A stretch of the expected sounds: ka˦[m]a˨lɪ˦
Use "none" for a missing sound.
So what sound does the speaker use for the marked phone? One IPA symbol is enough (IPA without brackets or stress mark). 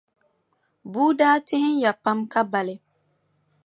b